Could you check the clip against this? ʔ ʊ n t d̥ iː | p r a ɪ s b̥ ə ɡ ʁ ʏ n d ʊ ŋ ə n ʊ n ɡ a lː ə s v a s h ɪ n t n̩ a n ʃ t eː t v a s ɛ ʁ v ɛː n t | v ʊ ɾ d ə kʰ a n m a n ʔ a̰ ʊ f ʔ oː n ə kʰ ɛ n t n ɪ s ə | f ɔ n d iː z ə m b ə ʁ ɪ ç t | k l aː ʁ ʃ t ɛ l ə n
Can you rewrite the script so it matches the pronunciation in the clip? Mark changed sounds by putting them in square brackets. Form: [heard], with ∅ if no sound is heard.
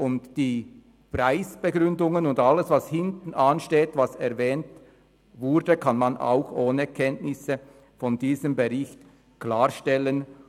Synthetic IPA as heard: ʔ ʊ n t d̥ iː | p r a ɪ s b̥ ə ɡ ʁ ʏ n d ʊ ŋ ə n ʊ n [d] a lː ə s v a s h ɪ n t n̩ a n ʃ t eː t v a s ɛ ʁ v ɛː n t | v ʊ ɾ d ə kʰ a n m a n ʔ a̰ ʊ [x] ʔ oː n ə kʰ ɛ n t n ɪ s ə | f ɔ n d iː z ə m b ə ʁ ɪ ç t | k l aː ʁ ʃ t ɛ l ə n

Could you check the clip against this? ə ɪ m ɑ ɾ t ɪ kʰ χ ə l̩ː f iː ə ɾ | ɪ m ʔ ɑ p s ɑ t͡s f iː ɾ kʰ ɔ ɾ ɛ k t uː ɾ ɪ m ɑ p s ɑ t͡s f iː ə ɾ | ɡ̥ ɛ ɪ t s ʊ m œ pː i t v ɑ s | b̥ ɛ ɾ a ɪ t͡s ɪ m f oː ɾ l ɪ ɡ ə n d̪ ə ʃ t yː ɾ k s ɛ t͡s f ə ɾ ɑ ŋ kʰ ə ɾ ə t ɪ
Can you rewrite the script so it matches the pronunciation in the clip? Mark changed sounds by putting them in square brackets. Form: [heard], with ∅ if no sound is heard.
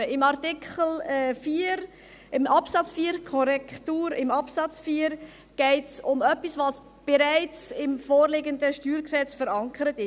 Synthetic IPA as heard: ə ɪ m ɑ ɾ t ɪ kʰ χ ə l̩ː f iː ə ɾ | ɪ m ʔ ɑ p s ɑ t͡s f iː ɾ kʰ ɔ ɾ ɛ k t uː ɾ ɪ m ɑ p s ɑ t͡s f iː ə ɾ | ɡ̥ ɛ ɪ t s ʊ m œ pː i [s] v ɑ s | b̥ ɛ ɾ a ɪ t͡s ɪ m f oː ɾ l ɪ ɡ ə n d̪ ə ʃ t yː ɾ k s ɛ t͡s f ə ɾ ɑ ŋ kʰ ə ɾ ə t ɪ

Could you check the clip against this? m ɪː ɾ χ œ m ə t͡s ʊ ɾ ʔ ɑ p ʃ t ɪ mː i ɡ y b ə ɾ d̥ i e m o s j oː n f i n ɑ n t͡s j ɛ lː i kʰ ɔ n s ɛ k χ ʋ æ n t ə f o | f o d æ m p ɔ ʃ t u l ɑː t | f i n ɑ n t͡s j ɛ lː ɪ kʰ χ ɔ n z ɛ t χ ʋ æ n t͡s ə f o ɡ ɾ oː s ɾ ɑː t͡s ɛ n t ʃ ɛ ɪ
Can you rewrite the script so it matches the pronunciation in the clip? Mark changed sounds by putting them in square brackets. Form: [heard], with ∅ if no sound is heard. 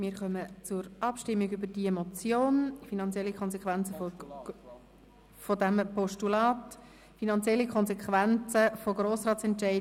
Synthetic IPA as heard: m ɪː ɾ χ œ m ə t͡s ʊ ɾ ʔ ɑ p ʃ t ɪ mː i ɡ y b ə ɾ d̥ i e m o [t͡s] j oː n f i n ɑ n t͡s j ɛ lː i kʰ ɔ n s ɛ k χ ʋ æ n [t͡s] ə f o | f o d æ m p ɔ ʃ t u l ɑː t | f i n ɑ n t͡s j ɛ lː [i] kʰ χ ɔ n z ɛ [k] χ ʋ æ n t͡s ə f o ɡ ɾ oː s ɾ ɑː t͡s ɛ n t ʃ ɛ ɪ

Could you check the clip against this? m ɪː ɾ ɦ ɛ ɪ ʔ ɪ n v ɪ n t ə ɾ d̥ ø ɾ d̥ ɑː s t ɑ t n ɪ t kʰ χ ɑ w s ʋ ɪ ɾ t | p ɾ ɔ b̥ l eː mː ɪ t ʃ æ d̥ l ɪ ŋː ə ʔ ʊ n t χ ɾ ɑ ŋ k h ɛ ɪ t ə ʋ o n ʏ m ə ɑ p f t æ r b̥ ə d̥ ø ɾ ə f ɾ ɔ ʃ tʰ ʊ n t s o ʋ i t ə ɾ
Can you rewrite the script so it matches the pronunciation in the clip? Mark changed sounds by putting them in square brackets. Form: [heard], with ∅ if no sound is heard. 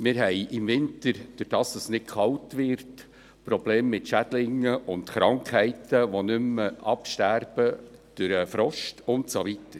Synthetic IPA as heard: m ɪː ɾ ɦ ɛ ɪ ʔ ɪ [m] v ɪ n t ə ɾ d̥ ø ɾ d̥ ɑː s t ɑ [s] n ɪ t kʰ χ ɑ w [t] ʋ ɪ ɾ t | p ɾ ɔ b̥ l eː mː ɪ t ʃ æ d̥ l ɪ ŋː ə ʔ ʊ n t χ ɾ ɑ ŋ k h ɛ ɪ t ə ʋ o n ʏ m ə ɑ p [ʃ] t æ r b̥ ə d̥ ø ɾ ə f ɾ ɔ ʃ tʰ ʊ n t s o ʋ i t ə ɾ

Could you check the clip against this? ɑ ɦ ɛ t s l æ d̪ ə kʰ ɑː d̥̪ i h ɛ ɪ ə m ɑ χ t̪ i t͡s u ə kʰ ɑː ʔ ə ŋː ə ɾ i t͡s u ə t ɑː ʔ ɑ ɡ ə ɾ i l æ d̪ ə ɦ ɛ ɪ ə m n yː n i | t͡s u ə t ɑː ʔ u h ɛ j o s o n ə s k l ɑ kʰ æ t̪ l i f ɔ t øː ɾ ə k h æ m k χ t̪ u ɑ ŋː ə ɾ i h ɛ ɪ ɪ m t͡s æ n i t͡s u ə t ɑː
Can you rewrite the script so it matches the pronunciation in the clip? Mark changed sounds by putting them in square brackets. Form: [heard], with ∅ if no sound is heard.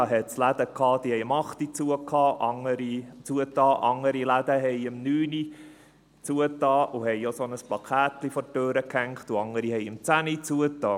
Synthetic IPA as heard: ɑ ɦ ɛ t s l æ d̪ ə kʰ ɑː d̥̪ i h ɛ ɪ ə m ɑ χ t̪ i t͡s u ə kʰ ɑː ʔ [ɑ] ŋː ə ɾ i t͡s u ə t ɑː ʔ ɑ [ŋ] ə ɾ i l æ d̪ ə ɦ ɛ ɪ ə m n yː n i | t͡s u ə t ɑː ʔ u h ɛ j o s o n ə s [p] l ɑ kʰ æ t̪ l i f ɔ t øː ɾ ə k h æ [ŋ] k χ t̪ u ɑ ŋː ə ɾ i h ɛ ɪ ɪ m t͡s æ n i t͡s u ə t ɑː

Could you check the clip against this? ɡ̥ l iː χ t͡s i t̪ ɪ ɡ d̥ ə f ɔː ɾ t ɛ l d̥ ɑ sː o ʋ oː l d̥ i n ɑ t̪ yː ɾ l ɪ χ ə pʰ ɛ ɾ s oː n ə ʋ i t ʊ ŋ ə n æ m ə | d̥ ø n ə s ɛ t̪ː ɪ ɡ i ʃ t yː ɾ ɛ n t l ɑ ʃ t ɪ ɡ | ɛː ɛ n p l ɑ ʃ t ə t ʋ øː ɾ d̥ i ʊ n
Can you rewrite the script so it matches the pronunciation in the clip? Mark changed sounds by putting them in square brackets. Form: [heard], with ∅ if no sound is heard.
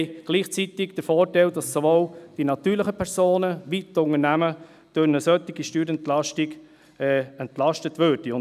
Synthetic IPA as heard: ɡ̥ l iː χ t͡s i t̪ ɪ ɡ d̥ ə f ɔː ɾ t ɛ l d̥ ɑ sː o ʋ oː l d̥ i n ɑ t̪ yː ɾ l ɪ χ ə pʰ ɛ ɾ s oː n ə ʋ i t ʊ ŋ ə n æ m ə | d̥ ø n ə s [œ] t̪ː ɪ ɡ i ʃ t yː ɾ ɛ n t l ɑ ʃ t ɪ ɡ | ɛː ɛ n [t] l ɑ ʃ t ə t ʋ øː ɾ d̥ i ʊ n

